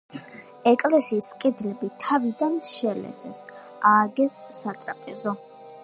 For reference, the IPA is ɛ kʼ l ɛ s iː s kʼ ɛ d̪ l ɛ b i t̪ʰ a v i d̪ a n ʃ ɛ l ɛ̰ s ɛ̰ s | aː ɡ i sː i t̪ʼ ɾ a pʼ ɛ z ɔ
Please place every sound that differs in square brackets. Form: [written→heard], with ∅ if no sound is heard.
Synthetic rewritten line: ɛ kʼ l ɛ s iː s kʼ ɛ d̪ l ɛ b i t̪ʰ a v i d̪ a n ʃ ɛ l ɛ̰ s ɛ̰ s | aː ɡ [i→ɛ] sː [i→a] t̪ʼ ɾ a pʼ ɛ z ɔ